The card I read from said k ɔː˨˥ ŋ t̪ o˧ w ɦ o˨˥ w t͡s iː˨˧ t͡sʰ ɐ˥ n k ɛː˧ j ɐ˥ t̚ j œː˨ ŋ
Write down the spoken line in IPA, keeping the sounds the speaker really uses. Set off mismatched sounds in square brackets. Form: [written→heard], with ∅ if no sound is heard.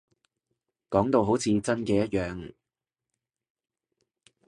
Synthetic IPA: k ɔː˨˥ ŋ t̪ o˧ w ɦ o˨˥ w [t͡s→t͡sʰ] iː˨˧ [t͡sʰ→t͡s] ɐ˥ n k ɛː˧ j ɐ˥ t̚ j œː˨ ŋ